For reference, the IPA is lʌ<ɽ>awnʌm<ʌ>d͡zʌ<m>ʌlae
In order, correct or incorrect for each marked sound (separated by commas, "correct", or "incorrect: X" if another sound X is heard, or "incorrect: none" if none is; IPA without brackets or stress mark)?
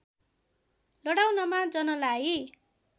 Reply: correct, incorrect: a, incorrect: n